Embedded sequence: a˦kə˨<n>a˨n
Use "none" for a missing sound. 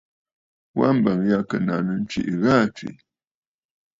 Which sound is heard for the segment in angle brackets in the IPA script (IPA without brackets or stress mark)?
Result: n